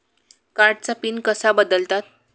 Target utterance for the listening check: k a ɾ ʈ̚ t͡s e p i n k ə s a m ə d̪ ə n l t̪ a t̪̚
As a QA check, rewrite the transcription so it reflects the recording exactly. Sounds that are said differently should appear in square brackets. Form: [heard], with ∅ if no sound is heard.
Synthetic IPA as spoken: k a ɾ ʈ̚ t͡s [a] p i n k ə s a [b] ə d̪ ə [∅] l t̪ a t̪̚